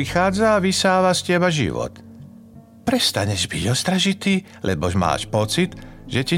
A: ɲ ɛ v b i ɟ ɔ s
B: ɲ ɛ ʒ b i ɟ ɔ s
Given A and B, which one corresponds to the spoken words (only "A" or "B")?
B